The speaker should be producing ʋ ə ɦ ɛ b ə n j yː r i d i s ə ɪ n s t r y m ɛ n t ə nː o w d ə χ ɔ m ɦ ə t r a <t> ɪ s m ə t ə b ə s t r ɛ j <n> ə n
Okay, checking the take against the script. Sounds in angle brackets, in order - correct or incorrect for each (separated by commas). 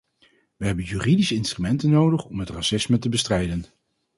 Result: incorrect, incorrect